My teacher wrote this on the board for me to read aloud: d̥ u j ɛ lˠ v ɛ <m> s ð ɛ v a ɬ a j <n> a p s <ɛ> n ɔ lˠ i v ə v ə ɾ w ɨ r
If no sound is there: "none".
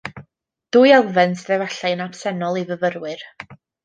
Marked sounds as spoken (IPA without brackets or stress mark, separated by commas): n, n, ɛ